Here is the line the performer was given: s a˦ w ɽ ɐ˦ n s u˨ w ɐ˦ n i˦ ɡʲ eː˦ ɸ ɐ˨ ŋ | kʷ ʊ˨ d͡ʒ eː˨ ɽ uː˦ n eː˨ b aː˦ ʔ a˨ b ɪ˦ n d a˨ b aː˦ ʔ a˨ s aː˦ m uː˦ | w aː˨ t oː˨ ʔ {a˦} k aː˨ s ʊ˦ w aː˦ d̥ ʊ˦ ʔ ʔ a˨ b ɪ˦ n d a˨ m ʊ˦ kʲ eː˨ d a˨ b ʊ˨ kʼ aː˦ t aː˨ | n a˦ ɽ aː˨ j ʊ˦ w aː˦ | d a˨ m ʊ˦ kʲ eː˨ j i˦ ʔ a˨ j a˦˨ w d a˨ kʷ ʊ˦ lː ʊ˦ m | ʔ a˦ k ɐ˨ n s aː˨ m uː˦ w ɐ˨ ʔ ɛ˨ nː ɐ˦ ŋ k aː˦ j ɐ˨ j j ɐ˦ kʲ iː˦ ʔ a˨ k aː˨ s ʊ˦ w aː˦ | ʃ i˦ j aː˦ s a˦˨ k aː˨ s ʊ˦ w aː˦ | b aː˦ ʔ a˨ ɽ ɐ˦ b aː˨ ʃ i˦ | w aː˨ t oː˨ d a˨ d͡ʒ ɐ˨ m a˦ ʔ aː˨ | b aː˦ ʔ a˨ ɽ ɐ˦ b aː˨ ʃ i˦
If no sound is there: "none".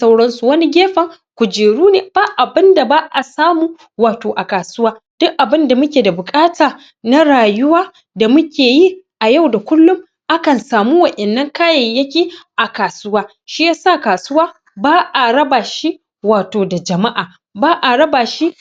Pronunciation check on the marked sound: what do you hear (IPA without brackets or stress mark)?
a˨